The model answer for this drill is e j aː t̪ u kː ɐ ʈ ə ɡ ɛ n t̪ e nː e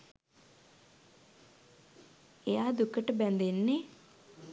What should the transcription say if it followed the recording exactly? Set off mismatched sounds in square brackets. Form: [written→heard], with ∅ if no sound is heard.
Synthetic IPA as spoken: e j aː [t̪→d̪] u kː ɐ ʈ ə [ɡ→b] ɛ n [t̪→d̪] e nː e